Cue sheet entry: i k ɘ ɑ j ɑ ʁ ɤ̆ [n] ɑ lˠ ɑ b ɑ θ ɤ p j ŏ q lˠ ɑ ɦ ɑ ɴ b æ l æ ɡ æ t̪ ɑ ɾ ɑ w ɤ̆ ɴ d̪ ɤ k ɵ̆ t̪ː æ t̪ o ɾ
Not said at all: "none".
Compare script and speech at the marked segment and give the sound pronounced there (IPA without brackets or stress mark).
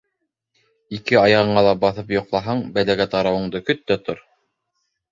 ɴ